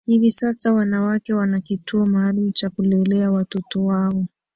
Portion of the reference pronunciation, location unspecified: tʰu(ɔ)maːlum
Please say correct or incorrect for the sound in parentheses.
correct